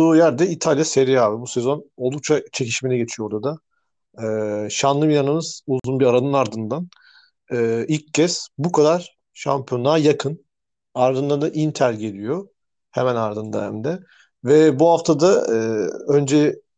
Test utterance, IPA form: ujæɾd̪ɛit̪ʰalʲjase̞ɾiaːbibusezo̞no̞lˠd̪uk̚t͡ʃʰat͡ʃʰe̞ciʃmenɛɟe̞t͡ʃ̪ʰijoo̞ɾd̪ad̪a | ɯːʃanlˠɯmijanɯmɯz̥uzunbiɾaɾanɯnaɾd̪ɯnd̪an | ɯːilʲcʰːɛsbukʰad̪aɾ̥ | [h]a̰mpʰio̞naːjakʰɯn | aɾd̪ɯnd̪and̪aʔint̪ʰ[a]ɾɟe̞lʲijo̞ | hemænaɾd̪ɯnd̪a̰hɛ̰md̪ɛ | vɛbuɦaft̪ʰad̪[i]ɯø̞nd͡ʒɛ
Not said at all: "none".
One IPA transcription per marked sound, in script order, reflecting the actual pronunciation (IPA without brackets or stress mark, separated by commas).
ʃ, æ, a